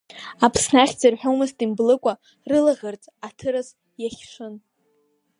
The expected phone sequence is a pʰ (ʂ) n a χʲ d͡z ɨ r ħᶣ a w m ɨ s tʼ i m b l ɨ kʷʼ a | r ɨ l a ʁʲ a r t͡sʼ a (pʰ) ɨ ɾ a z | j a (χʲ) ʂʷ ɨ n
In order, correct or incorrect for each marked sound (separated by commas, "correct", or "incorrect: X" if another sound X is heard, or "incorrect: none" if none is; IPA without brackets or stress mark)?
incorrect: s, incorrect: tʰ, correct